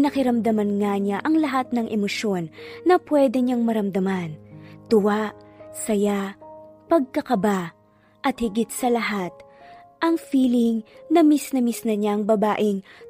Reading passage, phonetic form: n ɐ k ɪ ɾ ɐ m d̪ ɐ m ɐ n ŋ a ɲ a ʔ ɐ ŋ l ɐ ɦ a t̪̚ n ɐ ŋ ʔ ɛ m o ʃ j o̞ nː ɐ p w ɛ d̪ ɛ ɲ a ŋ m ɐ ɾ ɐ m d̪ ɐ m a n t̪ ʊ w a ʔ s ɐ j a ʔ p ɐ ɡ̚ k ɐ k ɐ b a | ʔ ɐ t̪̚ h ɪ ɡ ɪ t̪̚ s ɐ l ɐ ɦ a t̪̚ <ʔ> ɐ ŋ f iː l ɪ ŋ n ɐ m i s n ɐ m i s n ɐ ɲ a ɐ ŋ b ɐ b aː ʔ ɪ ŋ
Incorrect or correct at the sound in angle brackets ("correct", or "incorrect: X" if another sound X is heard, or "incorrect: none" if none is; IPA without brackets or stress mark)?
correct